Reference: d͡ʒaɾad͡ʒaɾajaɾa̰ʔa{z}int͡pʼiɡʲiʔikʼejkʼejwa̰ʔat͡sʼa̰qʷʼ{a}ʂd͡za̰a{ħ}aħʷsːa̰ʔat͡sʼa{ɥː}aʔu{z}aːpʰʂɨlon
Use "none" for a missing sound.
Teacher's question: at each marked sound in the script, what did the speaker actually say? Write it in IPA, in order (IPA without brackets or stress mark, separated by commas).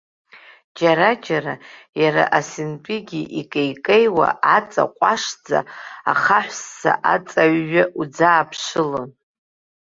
s, a, χ, ɥː, d͡z